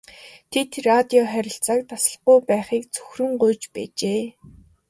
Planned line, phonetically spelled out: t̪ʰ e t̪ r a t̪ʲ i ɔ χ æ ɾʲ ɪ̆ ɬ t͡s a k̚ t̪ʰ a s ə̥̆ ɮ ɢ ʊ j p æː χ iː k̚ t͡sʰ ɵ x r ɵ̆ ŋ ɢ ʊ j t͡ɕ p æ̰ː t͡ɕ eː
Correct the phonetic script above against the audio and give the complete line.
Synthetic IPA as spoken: t̪ʰ e t̪ r a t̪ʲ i ɔ χ æ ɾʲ ɪ̆ ɬ t͡s a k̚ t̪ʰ a s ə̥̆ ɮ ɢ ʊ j p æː χ iː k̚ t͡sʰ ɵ x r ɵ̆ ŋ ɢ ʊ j t͡ɕ p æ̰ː t͡ɕ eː